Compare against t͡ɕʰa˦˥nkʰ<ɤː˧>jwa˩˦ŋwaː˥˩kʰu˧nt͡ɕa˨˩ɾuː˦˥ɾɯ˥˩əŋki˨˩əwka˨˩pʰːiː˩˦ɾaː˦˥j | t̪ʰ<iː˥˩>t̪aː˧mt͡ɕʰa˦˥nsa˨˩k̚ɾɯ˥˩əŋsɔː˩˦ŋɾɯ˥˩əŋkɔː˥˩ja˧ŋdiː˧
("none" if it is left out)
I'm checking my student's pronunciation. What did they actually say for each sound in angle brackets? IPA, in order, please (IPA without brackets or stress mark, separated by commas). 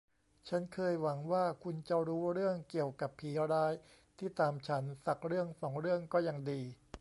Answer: ɤː˧, iː˥˩